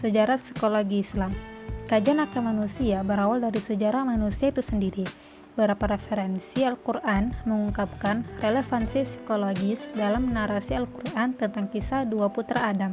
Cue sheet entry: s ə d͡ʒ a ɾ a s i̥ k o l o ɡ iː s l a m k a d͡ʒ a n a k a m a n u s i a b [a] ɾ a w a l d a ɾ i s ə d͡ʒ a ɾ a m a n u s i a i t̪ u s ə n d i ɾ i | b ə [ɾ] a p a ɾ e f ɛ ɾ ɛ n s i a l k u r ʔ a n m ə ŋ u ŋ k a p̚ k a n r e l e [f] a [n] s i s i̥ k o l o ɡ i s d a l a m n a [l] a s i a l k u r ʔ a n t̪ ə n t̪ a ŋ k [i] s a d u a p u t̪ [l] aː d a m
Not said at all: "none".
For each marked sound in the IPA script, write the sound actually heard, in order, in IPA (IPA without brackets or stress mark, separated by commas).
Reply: ə, ɾ, f, n, ɾ, i, ɾ